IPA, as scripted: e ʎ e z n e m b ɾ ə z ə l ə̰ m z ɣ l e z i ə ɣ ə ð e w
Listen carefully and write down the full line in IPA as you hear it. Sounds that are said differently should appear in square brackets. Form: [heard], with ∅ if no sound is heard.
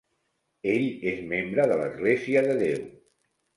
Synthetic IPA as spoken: e ʎ e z [m] e m b ɾ ə [ð] ə l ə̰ [∅] z ɣ l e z i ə [ð] ə ð e w